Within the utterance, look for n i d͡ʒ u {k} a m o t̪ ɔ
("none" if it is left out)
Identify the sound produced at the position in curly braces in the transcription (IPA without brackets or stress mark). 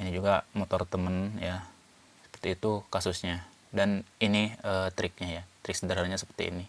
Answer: ɡ